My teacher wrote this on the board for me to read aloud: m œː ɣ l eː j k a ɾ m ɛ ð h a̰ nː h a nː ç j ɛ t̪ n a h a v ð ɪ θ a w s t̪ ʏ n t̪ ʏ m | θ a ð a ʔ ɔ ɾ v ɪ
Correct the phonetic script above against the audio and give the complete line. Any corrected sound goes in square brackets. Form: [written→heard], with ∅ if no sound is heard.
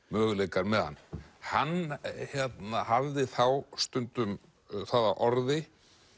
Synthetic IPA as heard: m œː ɣ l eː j k a ɾ m ɛ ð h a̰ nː h a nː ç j ɛ t̪ n a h a v ð ɪ θ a w s t̪ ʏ n t̪ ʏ m | θ a ð a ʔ ɔ ɾ [v→ð] ɪ